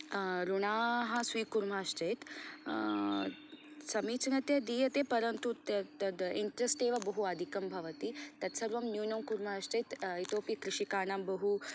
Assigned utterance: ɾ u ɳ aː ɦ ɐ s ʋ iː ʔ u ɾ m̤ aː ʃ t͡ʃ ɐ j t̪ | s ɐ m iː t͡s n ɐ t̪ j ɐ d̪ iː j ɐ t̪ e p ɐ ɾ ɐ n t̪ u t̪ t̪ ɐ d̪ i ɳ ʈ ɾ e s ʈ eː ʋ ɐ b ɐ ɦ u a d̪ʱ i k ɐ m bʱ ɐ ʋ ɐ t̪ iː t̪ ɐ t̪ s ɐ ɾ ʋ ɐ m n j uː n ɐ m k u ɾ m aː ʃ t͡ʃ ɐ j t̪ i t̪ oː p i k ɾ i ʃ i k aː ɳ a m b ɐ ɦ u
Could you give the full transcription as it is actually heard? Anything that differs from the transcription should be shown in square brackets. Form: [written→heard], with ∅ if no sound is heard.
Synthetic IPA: ɾ u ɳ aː ɦ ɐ s ʋ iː [ʔ→k] u ɾ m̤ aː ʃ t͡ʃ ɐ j t̪ | s ɐ m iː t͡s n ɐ t̪ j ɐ d̪ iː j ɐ t̪ e p ɐ ɾ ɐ n t̪ u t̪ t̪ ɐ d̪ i ɳ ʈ ɾ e s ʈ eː ʋ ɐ b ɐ ɦ u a d̪ʱ i k ɐ m bʱ ɐ ʋ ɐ t̪ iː t̪ ɐ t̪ s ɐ ɾ ʋ ɐ m n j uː n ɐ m k u ɾ m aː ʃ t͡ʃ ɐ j t̪ i t̪ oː p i k ɾ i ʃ i k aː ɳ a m b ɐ ɦ u